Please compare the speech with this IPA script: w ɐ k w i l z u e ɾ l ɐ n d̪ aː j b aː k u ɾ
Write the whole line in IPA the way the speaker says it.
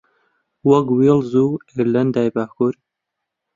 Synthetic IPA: w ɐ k w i l z u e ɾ l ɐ n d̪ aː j b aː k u ɾ

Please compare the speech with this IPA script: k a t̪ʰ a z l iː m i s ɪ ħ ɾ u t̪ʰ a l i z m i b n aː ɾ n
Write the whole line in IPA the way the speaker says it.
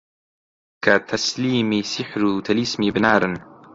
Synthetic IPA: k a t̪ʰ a s l iː m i s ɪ ħ ɾ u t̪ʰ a l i s m i b n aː ɾ n

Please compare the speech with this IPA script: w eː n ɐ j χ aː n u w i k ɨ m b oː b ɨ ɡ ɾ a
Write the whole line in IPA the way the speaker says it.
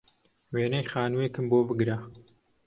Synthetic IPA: w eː n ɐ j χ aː n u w e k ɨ m b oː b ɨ ɡ ɾ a

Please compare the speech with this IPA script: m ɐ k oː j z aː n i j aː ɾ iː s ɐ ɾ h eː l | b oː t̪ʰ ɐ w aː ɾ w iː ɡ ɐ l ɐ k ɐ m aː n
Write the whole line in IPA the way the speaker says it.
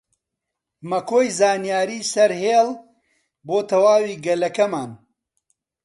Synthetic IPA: m ɐ k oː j z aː n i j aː ɾ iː s ɐ ɾ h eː l | b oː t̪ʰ ɐ w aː w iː ɡ ɐ l ɐ k ɐ m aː n

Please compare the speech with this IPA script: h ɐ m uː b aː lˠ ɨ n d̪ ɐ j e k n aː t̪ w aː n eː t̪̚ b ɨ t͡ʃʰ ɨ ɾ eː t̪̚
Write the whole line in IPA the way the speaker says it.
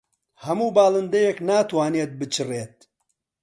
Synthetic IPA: h ɐ m uː b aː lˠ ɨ n d̪ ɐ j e k n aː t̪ w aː n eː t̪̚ b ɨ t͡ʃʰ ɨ r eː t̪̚

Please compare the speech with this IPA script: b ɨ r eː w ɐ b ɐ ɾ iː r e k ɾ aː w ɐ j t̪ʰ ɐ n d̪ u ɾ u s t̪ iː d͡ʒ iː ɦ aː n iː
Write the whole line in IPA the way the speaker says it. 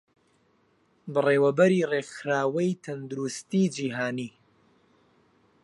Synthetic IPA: b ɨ r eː w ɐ b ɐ ɾ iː r e x ɾ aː w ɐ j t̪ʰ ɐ n d̪ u ɾ u s t̪ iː d͡ʒ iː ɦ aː n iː

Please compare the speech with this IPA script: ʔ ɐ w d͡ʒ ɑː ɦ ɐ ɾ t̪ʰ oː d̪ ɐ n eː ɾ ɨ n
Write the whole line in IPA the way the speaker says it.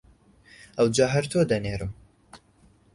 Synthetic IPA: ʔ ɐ w d͡ʒ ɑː ɦ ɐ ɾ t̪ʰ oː d̪ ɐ n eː ɾ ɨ m

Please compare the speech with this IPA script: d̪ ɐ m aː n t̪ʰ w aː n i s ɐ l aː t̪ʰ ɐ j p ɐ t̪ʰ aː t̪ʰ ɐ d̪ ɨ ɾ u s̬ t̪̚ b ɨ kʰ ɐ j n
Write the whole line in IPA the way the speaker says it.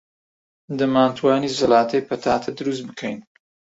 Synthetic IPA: d̪ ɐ m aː n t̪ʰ w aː n i z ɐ l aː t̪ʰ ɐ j p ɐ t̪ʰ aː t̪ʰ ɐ d̪ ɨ ɾ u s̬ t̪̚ b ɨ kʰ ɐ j n

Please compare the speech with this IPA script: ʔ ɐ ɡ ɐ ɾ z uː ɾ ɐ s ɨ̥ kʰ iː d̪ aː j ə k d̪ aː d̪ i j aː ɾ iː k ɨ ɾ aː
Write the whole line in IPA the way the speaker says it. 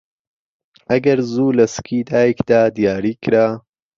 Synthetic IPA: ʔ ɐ ɡ ɐ ɾ z uː l ɐ s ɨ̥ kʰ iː d̪ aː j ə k d̪ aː d̪ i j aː ɾ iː k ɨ ɾ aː

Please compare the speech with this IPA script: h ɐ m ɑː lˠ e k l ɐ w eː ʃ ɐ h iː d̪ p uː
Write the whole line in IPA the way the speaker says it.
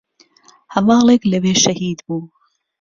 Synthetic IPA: h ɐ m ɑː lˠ e k l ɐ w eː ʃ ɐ h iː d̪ b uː

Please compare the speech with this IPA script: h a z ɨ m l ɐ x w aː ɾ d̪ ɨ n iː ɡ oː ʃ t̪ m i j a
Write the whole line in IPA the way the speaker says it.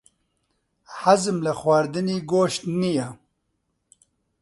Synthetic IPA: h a z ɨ m l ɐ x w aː ɾ d̪ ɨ n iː ɡ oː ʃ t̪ n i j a

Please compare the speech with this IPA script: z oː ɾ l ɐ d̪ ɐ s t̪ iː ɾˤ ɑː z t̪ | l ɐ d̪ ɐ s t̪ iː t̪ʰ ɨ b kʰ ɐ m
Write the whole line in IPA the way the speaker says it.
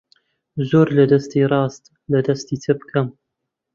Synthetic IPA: z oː ɾ l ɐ d̪ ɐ s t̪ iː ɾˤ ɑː s t̪ | l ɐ d̪ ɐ s t̪ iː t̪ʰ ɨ b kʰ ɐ m

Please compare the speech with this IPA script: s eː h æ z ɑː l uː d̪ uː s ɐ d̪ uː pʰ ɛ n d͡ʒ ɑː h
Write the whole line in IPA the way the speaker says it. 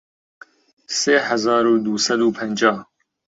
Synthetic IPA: s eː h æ z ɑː ɾ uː d̪ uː s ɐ d̪ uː pʰ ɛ n d͡ʒ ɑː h

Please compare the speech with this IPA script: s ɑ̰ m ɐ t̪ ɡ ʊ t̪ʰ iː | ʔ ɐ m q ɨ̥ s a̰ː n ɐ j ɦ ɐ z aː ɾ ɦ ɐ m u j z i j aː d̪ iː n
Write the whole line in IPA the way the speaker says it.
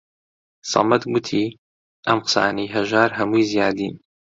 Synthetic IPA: s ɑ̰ m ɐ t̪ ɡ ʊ t̪ʰ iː | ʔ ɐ m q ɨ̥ s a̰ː n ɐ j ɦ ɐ ʒ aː ɾ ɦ ɐ m u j z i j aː d̪ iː n

